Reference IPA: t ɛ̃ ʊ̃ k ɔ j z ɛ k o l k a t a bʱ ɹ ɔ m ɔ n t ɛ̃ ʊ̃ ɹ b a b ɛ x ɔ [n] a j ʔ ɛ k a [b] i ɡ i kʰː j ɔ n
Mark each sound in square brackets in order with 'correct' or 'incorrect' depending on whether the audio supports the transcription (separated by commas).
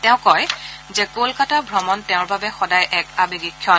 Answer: incorrect, correct